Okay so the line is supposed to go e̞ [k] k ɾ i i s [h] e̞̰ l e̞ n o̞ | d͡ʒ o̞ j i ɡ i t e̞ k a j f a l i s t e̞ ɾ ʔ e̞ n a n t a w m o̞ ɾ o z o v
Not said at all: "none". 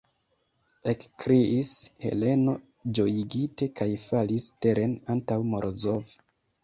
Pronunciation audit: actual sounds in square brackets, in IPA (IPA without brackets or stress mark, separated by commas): k, h